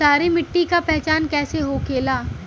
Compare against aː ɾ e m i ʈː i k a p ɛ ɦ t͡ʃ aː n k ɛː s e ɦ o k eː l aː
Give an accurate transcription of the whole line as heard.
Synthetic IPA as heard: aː ɾ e m ɪ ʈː i k a p ɛ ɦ t͡ʃ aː n k ɛː s e ɦ o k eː l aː